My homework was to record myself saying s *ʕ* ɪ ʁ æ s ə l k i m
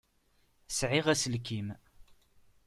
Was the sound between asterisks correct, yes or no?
yes